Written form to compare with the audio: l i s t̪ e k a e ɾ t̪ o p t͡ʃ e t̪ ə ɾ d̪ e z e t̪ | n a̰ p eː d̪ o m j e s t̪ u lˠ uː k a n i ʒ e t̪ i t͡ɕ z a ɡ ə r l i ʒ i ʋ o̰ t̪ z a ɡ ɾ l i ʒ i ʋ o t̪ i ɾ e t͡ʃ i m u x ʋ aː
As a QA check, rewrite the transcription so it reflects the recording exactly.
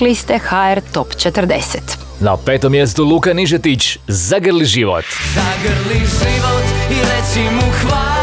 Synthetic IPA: l i s t̪ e x a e ɾ t̪ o p t͡ʃ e t̪ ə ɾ d̪ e s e t̪ | n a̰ p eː t̪ o m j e s t̪ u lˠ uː k a n i ʒ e t̪ i t͡ɕ z a ɡ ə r l i ʒ i ʋ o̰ t̪ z a ɡ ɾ l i ʒ i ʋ o t̪ i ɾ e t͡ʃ i m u x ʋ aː